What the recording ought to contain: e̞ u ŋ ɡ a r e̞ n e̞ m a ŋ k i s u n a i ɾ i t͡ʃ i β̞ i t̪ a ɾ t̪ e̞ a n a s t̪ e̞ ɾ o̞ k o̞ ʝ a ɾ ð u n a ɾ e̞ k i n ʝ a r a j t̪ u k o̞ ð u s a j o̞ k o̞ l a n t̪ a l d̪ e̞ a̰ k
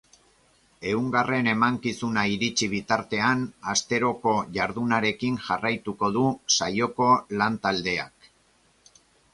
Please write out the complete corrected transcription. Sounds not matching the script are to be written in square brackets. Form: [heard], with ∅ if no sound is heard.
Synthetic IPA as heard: e̞ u ŋ ɡ a r e̞ n e̞ m a ŋ k i s u n a i ɾ i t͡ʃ i β̞ i t̪ a ɾ t̪ e̞ a n a s t̪ e̞ ɾ o̞ k o̞ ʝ a ɾ ð u n a ɾ e̞ k i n ʝ a r a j t̪ u k o̞ ð u s a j o̞ k o̞ l a n t̪ a l d̪ e̞ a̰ k

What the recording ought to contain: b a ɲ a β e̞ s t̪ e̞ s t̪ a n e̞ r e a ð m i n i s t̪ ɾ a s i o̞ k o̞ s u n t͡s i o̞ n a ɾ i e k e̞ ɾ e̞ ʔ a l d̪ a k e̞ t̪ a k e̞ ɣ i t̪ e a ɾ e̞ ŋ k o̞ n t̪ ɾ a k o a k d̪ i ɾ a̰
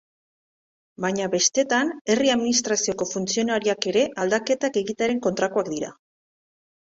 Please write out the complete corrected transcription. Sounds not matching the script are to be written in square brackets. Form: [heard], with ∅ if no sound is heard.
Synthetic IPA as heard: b a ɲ a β e̞ s t̪ e̞ [∅] t̪ a n e̞ r [i] a ð m i n i s t̪ ɾ a s i o̞ k o̞ [f] u n t͡s i o̞ n a ɾ i [a] k e̞ ɾ e̞ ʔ a l d̪ a k e̞ t̪ a k e̞ ɣ i t̪ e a ɾ e̞ ŋ k o̞ n t̪ ɾ a k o a k d̪ i ɾ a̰

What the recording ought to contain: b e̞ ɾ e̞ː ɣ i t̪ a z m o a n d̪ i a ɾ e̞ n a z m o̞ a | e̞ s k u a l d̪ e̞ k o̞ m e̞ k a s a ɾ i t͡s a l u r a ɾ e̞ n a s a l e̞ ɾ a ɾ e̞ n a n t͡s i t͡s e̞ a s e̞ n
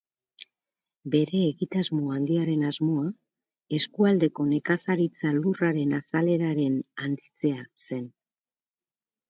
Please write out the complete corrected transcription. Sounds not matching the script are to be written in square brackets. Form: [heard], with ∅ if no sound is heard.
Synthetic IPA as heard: b e̞ ɾ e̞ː ɣ i t̪ a z m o a n d̪ i a ɾ e̞ n a z m o̞ a | e̞ s k u a l d̪ e̞ k o̞ [n] e̞ k a s a ɾ i t͡s a l u r a ɾ e̞ n a s a l e̞ ɾ a ɾ e̞ n a n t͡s i t͡s e̞ a s e̞ n

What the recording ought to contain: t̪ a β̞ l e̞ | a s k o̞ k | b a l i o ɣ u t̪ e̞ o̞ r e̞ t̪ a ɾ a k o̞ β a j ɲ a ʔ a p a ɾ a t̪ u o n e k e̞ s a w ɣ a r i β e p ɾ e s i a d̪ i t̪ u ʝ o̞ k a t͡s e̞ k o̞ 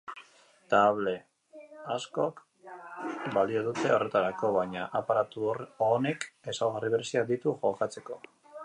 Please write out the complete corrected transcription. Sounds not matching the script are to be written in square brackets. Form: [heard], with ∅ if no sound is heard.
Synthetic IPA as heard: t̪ a β̞ l e̞ | a s k o̞ k | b a l i o [ð] u t̪ e̞ o̞ r e̞ t̪ a ɾ a k o̞ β a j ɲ a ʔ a p a ɾ a t̪ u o n e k e̞ s a w ɣ a r i β e [∅] ɾ e s i a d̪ i t̪ u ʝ o̞ k a t͡s e̞ k o̞

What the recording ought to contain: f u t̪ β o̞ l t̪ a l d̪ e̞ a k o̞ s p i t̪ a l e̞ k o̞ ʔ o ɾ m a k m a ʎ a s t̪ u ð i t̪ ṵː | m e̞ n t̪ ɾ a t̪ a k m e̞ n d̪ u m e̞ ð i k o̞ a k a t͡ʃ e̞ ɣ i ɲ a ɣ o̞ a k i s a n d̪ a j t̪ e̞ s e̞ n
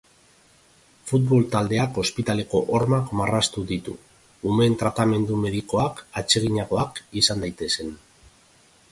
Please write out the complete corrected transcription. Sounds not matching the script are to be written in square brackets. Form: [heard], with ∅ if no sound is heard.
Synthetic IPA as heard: f u t̪ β o̞ l t̪ a l d̪ e̞ a k o̞ s p i t̪ a l e̞ k o̞ ʔ o ɾ m a k m a [r] a s t̪ u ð i t̪ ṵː | m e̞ n t̪ ɾ a t̪ a [∅] m e̞ n d̪ u m e̞ ð i k o̞ a k a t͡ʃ e̞ ɣ i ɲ a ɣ o̞ a k i s a n d̪ a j t̪ e̞ s e̞ n

